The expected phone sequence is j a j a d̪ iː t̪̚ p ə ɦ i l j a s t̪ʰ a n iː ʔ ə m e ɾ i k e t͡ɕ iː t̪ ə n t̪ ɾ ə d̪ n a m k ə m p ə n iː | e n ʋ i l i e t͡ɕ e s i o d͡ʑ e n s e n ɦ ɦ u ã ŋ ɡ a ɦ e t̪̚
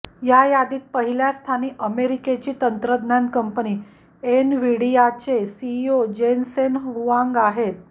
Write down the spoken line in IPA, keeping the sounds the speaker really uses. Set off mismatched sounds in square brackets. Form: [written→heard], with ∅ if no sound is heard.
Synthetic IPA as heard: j a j a d̪ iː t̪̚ p ə ɦ i l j a s t̪ʰ a n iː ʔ ə m e ɾ i k e t͡ɕ iː t̪ ə n t̪ ɾ ə d̪ n a [m→n] k ə m p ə n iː | e n ʋ i [l→ɽ] i [e→a] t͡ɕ e s i o d͡ʑ e n s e n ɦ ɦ u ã ŋ ɡ a ɦ e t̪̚